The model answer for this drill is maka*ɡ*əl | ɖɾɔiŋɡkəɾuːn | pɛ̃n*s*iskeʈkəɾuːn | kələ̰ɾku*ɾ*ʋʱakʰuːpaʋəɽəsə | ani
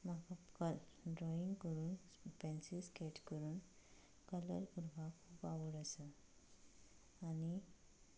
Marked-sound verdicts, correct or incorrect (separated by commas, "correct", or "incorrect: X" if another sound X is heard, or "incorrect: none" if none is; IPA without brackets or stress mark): incorrect: k, correct, correct